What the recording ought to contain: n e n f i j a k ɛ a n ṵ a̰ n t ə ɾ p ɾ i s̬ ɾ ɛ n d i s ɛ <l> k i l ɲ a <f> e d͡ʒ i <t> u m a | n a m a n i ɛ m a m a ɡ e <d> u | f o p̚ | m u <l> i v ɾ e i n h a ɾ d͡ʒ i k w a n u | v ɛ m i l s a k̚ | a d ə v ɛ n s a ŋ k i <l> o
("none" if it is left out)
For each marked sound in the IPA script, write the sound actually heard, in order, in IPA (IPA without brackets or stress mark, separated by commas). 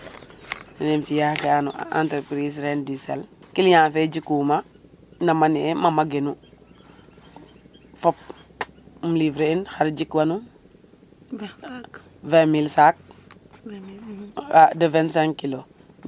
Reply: l, f, k, n, l, l